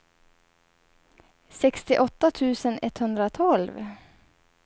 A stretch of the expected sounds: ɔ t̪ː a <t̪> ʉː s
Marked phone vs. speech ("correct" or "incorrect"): incorrect